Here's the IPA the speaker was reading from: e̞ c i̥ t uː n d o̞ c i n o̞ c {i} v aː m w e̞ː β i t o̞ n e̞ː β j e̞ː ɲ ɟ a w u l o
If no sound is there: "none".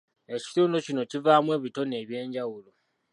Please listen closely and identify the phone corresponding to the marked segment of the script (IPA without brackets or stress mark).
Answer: i